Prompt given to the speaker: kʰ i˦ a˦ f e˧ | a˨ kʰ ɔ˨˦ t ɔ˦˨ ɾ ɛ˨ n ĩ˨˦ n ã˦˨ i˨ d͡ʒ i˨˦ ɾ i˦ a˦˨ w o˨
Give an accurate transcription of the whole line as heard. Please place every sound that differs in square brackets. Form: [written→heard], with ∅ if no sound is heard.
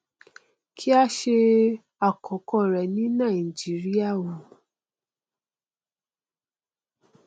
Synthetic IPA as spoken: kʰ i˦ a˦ [f→ʃ] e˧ | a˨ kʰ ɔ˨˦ [t→k] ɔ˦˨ ɾ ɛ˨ n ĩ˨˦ n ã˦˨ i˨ d͡ʒ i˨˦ ɾ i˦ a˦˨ w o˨